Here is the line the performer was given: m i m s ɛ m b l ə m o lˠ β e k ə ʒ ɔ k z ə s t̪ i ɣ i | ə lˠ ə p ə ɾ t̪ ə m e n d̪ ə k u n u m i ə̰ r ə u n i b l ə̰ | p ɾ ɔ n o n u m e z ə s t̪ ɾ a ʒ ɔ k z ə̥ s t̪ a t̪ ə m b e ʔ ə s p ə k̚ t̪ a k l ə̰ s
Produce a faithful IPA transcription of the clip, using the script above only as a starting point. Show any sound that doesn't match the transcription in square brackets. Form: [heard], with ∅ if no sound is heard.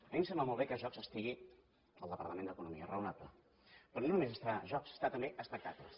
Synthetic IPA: m i m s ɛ m b l ə m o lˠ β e k ə ʒ ɔ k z ə s t̪ i ɣ i | ə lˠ ə p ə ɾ t̪ ə m e n d̪ ə k u n u m i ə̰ r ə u n [a] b l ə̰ | p ɾ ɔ n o n u m e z ə s t̪ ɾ a ʒ ɔ k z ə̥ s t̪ a t̪ ə m b e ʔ ə s p ə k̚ t̪ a k l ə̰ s

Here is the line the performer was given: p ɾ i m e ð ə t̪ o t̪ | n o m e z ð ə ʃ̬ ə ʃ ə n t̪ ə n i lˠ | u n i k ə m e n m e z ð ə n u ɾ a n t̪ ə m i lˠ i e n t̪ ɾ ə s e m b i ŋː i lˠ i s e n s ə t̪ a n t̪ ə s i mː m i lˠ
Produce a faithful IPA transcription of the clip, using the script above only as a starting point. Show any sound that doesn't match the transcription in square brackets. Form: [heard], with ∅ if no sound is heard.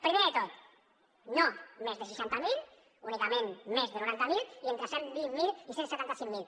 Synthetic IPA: p ɾ i m e ð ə t̪ o t̪ | n o m e z ð ə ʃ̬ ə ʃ [a] n t̪ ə [m] i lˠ | u n i k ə m e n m e z ð ə n u ɾ a n t̪ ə m i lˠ i e n t̪ ɾ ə s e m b i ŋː i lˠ i s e n s ə t̪ a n t̪ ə s i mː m i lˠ

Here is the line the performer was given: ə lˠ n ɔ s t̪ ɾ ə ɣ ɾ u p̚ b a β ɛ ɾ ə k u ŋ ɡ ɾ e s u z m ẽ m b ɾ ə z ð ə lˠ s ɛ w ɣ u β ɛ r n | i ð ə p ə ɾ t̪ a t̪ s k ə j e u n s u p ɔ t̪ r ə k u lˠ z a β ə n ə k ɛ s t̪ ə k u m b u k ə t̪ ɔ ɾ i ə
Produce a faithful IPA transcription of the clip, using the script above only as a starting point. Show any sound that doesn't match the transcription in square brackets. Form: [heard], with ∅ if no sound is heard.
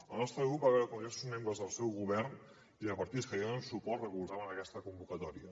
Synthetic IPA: ə lˠ n ɔ s t̪ ɾ ə ɣ ɾ u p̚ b a β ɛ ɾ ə k u ŋ ɡ ɾ e s u z m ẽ m b ɾ ə z ð ə lˠ s ɛ w ɣ u β ɛ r n | i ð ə p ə ɾ t̪ [i] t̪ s k ə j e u n s u p ɔ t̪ r ə k u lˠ z a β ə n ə k ɛ s t̪ ə k u m b u k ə t̪ ɔ ɾ i ə

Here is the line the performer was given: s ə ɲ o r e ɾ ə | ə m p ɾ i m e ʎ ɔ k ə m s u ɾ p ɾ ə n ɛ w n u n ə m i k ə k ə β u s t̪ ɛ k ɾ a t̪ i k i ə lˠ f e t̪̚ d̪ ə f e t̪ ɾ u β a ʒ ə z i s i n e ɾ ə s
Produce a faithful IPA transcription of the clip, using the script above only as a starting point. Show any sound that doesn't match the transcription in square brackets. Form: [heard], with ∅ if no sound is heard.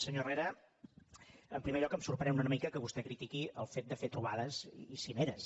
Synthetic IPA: s ə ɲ o r e ɾ ə | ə m p ɾ i m e ʎ ɔ k ə m s u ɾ p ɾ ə n ɛ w n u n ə m i k ə k ə β u s t̪ ɛ k ɾ [i] t̪ i k i ə lˠ f e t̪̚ d̪ ə f e t̪ ɾ u β a [ð] ə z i s i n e ɾ ə s

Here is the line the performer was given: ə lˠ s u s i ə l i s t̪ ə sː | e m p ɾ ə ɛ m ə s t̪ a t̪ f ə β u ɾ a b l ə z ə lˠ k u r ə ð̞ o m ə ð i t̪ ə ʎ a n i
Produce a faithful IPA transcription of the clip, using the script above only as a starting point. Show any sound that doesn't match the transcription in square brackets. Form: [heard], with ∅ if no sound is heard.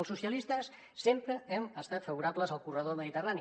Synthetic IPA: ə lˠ s u s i ə l i s t̪ ə sː | e m p ɾ ə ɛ m ə s t̪ a t̪ f ə β u ɾ a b l ə z ə lˠ k u r ə ð̞ o m ə ð i t̪ ə [r] a n i

